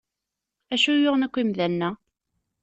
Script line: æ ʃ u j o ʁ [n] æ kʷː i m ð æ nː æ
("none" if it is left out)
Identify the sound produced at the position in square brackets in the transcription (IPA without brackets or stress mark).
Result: n